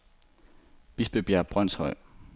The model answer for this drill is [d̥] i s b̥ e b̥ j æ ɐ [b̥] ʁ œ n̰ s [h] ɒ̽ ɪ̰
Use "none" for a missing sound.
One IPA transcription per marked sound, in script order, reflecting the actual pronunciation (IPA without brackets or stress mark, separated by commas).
b̥, b̥, h